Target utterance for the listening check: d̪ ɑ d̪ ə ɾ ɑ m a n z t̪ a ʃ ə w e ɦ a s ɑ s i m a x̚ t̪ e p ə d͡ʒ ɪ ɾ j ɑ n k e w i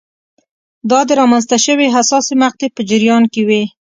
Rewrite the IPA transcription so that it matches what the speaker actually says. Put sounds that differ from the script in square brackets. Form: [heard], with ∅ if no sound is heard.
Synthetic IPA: d̪ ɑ d̪ ə ɾ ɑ m a n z t̪ a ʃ ə w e ɦ a s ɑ s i m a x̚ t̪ e p ə d͡ʒ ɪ ɾ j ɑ n k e w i